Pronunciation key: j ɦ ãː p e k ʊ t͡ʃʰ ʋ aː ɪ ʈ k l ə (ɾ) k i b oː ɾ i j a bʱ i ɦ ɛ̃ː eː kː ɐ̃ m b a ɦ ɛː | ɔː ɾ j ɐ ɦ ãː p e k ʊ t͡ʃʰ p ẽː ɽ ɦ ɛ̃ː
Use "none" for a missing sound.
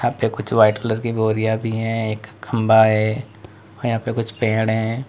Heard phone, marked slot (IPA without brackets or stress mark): ɾ